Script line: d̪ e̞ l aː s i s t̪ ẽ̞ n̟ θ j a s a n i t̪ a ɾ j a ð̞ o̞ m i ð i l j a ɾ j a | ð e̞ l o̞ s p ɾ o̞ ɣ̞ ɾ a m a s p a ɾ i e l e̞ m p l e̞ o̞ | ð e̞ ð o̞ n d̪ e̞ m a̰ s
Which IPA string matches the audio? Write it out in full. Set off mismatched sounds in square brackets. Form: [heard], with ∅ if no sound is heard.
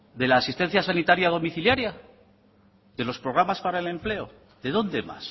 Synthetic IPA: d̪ e̞ l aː s i s t̪ [e̞] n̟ θ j a s a n i t̪ a ɾ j a ð̞ o̞ m i [θ] i l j a ɾ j a | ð e̞ l o̞ s p ɾ o̞ ɣ̞ ɾ a m a s p a ɾ [a] e l e̞ m p l e̞ o̞ | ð e̞ ð o̞ n d̪ e̞ m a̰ s